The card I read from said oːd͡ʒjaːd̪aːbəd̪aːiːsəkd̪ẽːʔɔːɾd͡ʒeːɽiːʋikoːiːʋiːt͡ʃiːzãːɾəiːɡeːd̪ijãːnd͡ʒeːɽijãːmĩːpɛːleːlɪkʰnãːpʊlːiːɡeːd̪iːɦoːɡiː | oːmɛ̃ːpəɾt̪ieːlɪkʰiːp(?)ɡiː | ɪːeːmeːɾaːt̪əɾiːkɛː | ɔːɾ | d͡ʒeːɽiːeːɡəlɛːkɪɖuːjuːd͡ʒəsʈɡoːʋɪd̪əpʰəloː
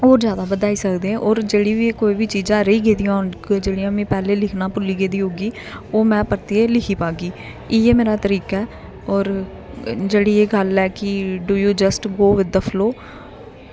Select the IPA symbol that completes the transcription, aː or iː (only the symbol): aː